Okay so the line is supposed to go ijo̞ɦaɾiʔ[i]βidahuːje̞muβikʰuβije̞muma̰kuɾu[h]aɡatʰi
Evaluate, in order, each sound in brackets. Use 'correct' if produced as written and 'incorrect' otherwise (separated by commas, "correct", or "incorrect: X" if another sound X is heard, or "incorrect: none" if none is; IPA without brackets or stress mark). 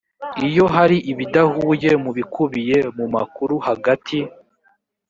correct, correct